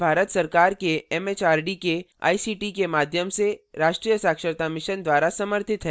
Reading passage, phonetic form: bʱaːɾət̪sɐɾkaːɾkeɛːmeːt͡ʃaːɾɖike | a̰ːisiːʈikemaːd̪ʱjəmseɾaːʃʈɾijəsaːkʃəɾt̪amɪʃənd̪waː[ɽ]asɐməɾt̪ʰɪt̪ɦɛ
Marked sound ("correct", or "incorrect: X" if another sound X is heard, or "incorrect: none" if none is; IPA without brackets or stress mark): incorrect: ɾ